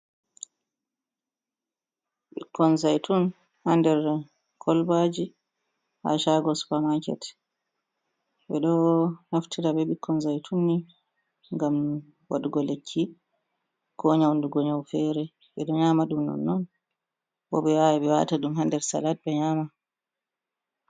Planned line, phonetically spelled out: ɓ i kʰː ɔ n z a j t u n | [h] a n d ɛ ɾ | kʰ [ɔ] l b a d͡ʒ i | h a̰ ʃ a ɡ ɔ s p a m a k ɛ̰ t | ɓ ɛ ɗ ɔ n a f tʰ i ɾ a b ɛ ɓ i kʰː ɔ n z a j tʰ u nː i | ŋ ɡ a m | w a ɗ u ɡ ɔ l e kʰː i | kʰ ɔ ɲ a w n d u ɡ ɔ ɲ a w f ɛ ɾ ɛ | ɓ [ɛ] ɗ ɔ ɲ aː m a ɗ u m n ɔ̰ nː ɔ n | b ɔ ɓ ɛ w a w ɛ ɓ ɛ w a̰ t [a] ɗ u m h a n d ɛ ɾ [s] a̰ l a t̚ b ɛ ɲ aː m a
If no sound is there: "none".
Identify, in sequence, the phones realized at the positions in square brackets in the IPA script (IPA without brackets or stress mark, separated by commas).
h, ɔ, ɛ, a, s